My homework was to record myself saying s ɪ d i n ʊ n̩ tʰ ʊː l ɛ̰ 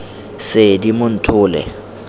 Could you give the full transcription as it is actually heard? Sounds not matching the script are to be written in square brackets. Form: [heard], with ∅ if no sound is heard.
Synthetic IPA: s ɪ d i [m] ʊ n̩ tʰ ʊː l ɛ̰